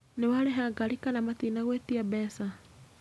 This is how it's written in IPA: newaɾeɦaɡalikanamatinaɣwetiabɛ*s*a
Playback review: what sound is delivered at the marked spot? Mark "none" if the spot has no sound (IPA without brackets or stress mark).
s